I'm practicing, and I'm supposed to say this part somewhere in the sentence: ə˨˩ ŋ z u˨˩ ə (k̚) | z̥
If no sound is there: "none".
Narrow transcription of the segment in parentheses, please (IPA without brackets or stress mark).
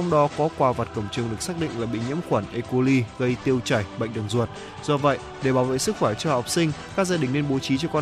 t̚